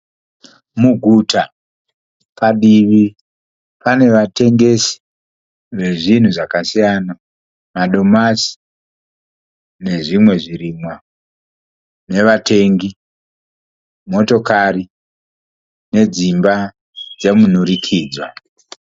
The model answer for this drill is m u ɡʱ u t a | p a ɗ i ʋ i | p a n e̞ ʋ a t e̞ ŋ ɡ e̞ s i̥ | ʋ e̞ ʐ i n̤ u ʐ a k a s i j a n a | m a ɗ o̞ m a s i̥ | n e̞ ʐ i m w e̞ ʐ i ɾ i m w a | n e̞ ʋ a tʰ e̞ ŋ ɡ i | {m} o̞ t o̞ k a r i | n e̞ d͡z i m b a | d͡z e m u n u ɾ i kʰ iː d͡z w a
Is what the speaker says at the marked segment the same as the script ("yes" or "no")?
yes